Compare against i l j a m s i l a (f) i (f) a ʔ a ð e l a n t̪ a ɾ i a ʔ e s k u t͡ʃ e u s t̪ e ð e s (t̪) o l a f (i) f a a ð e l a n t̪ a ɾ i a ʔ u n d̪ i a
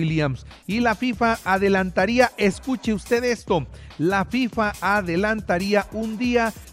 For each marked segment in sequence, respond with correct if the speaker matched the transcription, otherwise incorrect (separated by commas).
correct, correct, correct, correct